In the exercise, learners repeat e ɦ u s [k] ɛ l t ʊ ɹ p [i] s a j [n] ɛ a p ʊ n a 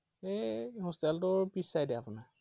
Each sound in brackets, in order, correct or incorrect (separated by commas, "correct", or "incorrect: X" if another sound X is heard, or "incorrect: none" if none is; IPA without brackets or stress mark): incorrect: t, correct, incorrect: d